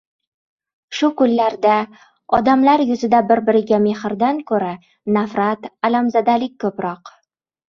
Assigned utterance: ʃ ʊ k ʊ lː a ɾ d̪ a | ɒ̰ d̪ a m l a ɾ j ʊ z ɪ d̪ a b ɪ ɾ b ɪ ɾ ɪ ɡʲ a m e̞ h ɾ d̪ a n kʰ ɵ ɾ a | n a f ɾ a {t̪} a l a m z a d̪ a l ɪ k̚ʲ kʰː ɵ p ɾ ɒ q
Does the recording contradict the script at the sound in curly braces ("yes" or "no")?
no